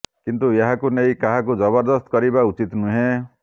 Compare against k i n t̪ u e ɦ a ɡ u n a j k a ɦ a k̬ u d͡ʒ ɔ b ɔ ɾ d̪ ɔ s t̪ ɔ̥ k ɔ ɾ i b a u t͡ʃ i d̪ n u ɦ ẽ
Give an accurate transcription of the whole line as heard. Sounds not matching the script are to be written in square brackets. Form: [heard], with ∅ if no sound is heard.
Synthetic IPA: k i n t̪ u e ɦ a [k] u n [e] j k a ɦ a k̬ u d͡ʒ ɔ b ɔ ɾ d̪ ɔ s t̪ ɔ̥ k ɔ ɾ i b a u t͡ʃ i [t̪] n u ɦ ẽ